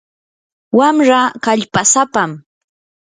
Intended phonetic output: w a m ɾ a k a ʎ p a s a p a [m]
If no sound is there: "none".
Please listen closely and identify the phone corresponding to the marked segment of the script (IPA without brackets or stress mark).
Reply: m